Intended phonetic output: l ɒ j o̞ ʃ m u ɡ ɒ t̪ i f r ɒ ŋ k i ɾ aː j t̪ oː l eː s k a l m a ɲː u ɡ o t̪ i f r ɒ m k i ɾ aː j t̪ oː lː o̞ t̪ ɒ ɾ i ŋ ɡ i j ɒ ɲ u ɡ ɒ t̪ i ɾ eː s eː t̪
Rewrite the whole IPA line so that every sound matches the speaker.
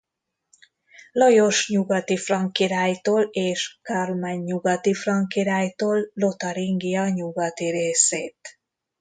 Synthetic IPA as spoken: l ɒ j o̞ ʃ ɲ u ɡ ɒ t̪ i f r ɒ ŋ k i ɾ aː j t̪ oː l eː ʃ k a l m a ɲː u ɡ ɒ t̪ i f r ɒ ŋ k i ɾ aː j t̪ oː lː o̞ t̪ ɒ ɾ i ŋ ɡ i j ɒ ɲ u ɡ ɒ t̪ i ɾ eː s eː t̪